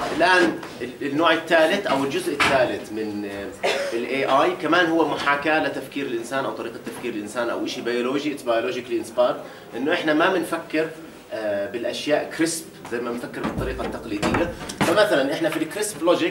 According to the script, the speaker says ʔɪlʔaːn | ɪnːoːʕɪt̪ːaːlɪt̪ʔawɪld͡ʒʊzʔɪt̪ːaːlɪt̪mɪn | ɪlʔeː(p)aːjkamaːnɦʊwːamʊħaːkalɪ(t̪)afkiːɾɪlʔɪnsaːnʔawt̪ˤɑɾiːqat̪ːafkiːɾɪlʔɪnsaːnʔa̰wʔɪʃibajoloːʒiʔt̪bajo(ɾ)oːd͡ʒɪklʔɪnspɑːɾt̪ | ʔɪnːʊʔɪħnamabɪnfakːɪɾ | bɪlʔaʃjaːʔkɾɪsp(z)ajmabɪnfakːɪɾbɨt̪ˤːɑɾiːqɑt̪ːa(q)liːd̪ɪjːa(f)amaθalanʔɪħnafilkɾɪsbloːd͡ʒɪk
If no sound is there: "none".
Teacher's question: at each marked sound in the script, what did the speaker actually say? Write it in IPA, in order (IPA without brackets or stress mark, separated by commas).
ʔ, t̪, l, z, q, f